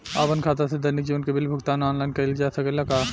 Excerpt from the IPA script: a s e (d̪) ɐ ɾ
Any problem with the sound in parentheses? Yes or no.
no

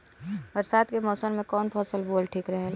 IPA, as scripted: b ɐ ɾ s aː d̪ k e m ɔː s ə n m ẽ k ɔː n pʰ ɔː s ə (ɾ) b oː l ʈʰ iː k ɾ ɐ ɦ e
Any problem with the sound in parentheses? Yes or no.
yes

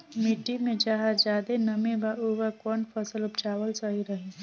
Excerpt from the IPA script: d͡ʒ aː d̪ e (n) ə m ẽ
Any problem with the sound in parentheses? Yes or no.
no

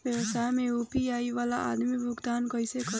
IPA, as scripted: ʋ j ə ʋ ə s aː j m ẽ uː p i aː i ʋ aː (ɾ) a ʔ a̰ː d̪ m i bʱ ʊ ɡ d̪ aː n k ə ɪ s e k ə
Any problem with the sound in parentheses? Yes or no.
yes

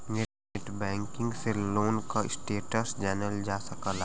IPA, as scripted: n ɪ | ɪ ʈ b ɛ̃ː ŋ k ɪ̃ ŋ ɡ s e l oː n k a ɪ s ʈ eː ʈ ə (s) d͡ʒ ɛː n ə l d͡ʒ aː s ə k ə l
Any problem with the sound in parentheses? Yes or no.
no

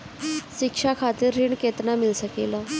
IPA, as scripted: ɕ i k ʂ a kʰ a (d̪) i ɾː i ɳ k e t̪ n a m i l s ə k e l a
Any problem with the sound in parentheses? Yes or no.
yes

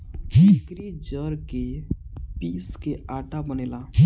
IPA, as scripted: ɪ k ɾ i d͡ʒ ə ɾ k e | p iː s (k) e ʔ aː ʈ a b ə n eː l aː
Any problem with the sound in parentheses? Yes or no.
no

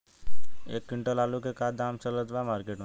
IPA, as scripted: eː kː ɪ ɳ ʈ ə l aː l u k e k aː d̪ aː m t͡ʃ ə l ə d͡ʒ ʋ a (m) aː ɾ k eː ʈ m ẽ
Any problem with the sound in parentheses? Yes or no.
no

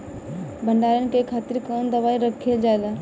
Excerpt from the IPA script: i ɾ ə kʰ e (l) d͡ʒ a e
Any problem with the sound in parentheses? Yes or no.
no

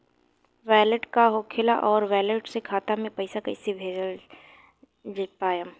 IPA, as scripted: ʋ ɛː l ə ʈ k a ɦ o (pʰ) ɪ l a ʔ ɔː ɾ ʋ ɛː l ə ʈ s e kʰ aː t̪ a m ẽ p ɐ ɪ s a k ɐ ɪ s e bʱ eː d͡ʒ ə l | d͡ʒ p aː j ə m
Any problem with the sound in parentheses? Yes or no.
yes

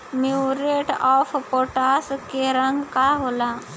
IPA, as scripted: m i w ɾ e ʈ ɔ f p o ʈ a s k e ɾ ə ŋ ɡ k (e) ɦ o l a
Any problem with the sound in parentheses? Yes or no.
yes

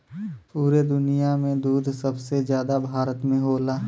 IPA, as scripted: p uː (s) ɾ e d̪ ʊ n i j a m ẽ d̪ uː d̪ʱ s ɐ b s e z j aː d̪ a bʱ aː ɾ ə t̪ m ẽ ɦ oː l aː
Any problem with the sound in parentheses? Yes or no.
yes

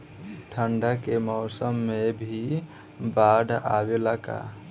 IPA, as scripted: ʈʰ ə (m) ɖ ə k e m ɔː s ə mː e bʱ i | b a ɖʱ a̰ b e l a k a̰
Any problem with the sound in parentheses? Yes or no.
yes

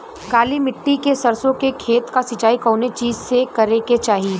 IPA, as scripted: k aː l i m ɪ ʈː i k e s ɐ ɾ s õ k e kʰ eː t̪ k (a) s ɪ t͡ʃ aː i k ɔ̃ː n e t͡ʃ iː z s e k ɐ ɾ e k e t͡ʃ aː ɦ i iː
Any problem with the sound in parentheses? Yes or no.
no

